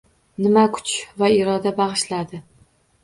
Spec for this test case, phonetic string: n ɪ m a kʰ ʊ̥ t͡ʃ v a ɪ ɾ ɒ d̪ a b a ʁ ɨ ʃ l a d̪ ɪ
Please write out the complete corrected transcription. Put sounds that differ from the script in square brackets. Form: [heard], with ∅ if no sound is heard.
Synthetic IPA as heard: n ɪ m a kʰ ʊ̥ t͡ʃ v a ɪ ɾ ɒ d̪ a b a ʁ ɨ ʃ l a d̪ ɪ